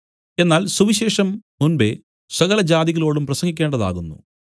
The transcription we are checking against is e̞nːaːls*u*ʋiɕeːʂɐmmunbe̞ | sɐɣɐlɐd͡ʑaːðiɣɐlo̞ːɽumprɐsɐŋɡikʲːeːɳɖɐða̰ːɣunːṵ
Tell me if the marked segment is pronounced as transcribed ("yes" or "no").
yes